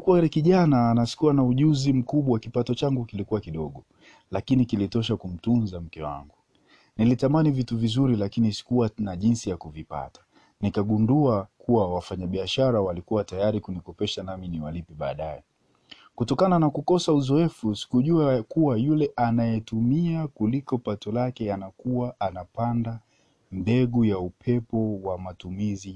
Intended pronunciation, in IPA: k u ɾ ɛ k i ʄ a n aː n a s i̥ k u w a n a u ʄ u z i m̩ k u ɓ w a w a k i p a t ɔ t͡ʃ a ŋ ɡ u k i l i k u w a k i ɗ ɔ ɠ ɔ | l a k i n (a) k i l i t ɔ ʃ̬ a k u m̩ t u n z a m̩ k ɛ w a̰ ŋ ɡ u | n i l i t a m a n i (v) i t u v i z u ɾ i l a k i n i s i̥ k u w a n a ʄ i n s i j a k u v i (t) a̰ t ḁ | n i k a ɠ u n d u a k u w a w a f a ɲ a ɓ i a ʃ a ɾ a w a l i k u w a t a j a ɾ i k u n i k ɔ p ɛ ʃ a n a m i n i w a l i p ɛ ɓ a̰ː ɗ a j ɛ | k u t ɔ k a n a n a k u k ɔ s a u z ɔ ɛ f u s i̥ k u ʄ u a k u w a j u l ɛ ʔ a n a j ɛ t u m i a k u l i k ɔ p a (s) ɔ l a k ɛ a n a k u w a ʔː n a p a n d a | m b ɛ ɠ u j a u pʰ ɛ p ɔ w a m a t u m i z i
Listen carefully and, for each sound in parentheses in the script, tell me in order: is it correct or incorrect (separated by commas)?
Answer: incorrect, correct, incorrect, incorrect